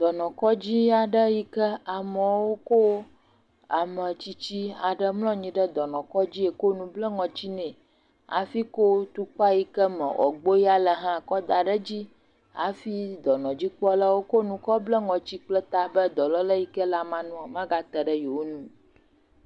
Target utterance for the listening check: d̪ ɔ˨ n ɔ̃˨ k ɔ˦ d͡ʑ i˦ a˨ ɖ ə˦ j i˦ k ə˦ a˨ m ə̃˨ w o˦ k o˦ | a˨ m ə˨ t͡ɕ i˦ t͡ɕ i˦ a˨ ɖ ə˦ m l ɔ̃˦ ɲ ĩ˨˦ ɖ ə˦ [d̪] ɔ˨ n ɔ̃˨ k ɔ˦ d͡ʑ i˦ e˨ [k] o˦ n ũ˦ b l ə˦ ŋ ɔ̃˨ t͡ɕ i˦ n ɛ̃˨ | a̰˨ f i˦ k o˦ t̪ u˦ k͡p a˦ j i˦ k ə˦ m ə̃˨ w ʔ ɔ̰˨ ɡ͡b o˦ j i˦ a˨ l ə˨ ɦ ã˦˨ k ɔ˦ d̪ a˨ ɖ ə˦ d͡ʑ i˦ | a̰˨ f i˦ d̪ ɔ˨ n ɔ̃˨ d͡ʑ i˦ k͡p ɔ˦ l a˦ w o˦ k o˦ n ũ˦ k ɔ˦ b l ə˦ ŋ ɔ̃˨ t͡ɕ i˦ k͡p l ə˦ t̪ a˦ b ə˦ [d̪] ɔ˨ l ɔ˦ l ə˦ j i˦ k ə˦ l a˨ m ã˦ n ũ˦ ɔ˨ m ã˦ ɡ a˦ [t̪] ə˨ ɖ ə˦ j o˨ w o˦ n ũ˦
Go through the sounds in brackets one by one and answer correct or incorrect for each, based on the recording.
correct, correct, correct, correct

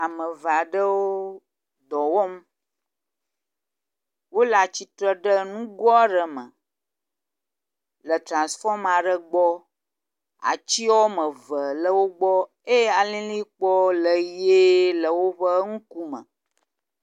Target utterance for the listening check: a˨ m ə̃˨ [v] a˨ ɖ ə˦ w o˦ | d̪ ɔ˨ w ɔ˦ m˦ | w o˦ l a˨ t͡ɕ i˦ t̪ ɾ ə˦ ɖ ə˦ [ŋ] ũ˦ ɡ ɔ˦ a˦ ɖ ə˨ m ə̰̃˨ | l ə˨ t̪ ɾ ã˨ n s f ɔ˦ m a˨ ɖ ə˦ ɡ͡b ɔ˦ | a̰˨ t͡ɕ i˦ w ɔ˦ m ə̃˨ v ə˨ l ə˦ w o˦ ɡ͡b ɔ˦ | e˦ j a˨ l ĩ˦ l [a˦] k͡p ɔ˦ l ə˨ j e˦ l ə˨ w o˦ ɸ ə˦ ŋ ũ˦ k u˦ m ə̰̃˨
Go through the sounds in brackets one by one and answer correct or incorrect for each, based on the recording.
correct, incorrect, incorrect

